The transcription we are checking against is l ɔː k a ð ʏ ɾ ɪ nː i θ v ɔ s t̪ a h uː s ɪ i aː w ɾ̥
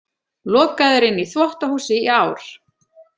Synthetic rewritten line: l ɔː k a ð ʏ ɾ ɪ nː i θ v ɔ h t̪ a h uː s ɪ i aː w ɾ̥